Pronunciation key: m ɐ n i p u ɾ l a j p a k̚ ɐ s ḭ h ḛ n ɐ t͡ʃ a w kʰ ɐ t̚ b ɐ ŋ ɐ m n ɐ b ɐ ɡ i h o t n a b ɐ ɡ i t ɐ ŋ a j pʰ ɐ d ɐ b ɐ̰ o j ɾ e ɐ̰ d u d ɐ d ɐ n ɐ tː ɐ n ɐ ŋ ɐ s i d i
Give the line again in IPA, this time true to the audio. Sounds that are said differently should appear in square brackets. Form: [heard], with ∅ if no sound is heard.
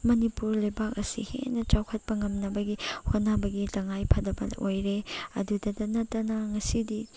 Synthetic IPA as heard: m ɐ n i p u ɾ l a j [b] a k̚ ɐ s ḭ h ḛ n ɐ t͡ʃ a w kʰ ɐ t̚ [p] ɐ ŋ ɐ m n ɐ b ɐ ɡ i h o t n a b ɐ ɡ i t ɐ ŋ a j pʰ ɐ d ɐ b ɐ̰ o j ɾ e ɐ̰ d u d ɐ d ɐ n ɐ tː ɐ n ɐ ŋ ɐ s i d i